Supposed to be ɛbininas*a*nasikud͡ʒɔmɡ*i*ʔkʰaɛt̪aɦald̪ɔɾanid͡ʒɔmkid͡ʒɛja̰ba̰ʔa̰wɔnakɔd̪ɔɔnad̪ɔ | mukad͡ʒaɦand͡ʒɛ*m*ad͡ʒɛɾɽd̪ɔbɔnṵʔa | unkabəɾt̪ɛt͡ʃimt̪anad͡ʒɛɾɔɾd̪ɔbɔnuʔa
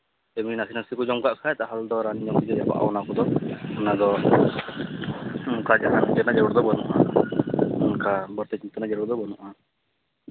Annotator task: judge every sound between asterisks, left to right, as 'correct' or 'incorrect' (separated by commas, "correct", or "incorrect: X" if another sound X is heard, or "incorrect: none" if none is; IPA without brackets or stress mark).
incorrect: i, incorrect: a, incorrect: n